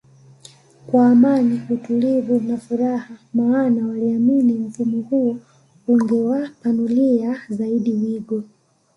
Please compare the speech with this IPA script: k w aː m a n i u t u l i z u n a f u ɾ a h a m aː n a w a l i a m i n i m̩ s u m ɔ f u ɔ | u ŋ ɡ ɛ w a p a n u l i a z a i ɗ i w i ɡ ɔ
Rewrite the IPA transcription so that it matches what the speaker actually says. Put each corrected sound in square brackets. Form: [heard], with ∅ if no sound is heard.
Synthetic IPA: k w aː m a n i u t u l i [v] u n a f u ɾ a h a m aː n a w a l i a m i n i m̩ [f] u m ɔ [h] u ɔ | u ŋ ɡ ɛ w a p a n u l i a z a i ɗ i w i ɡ ɔ